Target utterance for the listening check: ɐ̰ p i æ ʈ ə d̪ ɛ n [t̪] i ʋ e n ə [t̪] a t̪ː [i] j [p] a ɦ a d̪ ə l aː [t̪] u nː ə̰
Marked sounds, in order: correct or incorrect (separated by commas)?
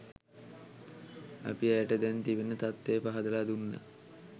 correct, correct, incorrect, correct, incorrect